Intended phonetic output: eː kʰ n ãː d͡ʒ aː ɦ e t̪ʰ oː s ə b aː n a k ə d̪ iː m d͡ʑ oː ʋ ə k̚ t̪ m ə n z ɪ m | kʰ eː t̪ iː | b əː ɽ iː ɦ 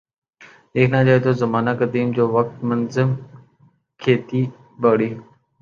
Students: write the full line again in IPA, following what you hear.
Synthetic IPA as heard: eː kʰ n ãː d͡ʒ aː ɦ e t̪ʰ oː z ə m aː n a k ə d̪ iː m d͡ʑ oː ʋ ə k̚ t̪ m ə n z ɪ m | kʰ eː t̪ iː | b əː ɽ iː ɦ